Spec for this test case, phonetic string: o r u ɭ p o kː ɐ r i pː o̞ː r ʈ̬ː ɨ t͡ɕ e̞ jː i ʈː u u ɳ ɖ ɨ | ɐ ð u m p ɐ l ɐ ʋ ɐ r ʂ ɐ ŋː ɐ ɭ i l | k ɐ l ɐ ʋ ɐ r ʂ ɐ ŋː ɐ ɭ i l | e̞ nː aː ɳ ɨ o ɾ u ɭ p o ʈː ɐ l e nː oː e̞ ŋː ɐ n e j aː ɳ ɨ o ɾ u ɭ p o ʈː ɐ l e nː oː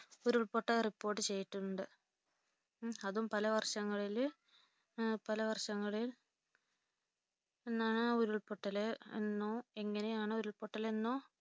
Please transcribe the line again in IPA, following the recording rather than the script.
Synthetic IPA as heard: o ɾ u ɭ p o ʈː ɐ r i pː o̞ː r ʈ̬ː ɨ t͡ɕ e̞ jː i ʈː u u ɳ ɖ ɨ | ɐ ð u m p ɐ l ɐ ʋ ɐ r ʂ ɐ ŋː ɐ ɭ i l | p ɐ l ɐ ʋ ɐ r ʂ ɐ ŋː ɐ ɭ i l | e̞ nː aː ɳ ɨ o ɾ u ɭ p o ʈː ɐ l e nː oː e̞ ŋː ɐ n e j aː ɳ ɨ o ɾ u ɭ p o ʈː ɐ l e nː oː